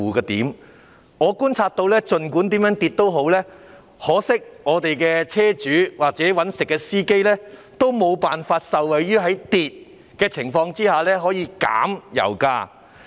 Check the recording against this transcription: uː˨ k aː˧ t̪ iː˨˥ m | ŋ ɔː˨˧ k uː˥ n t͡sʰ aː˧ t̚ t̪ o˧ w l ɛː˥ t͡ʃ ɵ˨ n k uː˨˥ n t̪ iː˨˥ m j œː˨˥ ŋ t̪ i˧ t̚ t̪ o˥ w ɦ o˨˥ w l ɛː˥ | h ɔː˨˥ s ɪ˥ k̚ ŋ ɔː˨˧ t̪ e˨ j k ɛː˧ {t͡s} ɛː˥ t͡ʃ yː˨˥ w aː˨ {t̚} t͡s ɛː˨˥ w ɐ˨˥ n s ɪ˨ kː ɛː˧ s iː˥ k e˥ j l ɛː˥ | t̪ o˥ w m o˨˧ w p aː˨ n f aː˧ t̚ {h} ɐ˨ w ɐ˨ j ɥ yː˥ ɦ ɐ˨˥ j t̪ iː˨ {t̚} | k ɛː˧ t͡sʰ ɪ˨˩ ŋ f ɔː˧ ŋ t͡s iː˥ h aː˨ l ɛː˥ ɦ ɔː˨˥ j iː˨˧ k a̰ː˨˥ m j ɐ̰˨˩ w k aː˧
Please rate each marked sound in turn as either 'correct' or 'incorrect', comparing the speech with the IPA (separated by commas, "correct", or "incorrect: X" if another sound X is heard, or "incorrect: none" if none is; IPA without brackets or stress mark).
incorrect: t͡sʰ, incorrect: k̚, incorrect: s, correct